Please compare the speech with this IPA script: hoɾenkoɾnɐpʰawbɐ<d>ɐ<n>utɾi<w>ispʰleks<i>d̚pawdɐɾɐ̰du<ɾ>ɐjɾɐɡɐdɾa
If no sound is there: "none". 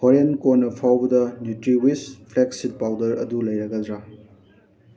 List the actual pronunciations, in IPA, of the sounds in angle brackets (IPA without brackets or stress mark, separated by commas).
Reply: d, n, w, i, l